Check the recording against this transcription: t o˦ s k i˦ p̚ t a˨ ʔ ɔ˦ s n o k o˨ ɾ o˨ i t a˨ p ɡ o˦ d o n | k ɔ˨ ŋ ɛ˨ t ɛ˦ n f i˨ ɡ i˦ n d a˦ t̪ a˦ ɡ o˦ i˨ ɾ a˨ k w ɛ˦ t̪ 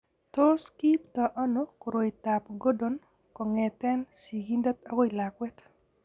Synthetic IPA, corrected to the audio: t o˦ s k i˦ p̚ t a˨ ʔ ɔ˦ n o k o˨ ɾ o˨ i t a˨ p ɡ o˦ d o n | k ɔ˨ ŋ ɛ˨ t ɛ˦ n s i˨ ɡ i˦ n d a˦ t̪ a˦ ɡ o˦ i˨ l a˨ k w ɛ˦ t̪